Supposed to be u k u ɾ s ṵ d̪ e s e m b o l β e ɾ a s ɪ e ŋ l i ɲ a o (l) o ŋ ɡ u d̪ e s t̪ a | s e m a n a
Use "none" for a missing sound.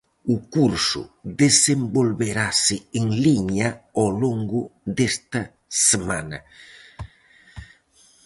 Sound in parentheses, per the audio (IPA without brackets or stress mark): l